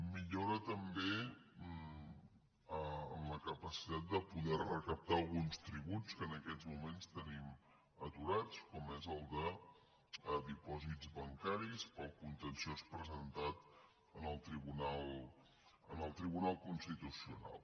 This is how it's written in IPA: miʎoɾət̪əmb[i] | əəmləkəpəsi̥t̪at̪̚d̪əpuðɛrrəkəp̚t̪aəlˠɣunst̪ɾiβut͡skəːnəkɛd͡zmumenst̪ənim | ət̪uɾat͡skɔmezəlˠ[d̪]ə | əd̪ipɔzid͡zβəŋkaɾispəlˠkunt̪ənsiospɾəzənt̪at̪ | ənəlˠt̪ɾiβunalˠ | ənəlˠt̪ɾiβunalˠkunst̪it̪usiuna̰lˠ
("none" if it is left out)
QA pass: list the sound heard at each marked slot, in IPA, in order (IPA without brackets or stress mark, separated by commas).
e, d̪